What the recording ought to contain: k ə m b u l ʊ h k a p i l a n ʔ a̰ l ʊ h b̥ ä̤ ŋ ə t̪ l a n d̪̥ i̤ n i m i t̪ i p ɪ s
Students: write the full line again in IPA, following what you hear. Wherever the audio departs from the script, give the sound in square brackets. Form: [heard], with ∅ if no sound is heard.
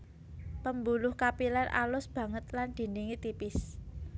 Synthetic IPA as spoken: [p] ə m b u l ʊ h k a p i l a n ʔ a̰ l ʊ [s] b̥ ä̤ ŋ ə t̪ l a n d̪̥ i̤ n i [ŋ] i t̪ i p ɪ s